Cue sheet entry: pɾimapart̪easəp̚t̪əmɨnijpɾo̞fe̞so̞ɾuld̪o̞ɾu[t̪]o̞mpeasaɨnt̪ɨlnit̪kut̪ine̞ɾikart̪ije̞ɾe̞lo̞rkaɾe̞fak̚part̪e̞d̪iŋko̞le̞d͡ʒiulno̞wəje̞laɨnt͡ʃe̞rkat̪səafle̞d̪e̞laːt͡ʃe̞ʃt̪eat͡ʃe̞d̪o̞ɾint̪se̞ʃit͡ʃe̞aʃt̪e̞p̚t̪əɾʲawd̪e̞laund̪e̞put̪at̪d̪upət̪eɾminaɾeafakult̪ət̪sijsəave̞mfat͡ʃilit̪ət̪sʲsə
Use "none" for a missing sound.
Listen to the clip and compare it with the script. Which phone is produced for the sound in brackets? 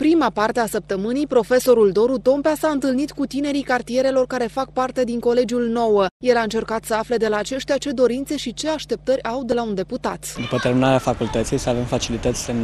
t̪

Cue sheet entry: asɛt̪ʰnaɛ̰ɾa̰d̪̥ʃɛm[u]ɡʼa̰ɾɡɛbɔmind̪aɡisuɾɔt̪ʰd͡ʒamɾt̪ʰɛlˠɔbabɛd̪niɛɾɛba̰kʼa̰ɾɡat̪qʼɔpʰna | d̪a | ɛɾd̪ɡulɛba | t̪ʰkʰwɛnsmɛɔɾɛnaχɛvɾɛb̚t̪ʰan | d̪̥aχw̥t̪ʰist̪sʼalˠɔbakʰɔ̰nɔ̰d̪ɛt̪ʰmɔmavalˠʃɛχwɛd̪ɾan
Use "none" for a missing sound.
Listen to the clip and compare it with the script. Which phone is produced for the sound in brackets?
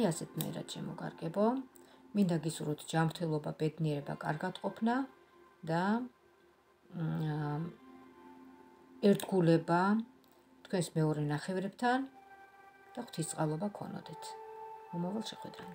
ɔ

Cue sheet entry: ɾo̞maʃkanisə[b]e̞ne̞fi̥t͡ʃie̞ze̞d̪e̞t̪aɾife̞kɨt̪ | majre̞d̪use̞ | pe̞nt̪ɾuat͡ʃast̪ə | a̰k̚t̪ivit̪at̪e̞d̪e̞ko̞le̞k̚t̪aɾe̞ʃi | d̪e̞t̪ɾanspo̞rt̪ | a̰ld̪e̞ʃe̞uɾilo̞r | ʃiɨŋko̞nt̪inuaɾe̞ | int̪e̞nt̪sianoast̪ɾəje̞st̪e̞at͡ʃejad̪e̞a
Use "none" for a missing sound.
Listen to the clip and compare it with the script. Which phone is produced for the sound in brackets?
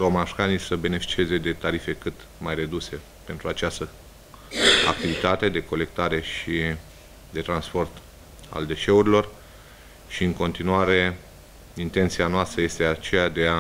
b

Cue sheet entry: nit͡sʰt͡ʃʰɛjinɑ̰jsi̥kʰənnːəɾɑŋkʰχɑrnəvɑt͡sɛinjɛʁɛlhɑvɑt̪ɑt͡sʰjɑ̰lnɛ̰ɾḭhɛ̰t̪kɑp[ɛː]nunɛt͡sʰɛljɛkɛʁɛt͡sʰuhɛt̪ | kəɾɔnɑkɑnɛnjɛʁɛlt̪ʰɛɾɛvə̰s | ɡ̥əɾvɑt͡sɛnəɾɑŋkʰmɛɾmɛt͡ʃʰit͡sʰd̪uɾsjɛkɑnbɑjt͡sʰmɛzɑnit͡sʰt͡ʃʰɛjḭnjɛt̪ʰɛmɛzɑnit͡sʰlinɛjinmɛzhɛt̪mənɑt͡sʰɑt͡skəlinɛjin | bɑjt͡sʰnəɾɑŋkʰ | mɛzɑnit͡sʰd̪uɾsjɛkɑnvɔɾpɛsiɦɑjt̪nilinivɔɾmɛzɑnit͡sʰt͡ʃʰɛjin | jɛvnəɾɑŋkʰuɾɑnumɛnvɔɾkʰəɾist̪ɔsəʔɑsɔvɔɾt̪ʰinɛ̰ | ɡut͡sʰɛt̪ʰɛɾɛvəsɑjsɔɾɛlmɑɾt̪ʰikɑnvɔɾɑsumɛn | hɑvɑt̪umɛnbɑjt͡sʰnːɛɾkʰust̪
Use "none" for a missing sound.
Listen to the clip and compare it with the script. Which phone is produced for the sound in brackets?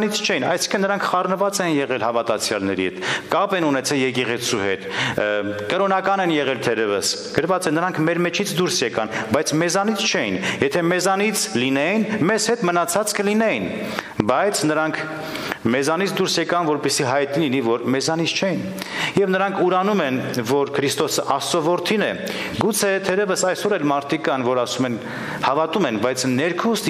ɛ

